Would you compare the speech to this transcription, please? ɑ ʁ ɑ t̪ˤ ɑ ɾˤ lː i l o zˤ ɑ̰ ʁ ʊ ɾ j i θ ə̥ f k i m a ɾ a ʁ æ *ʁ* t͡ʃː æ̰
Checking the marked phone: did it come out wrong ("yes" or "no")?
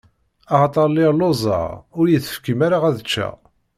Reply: yes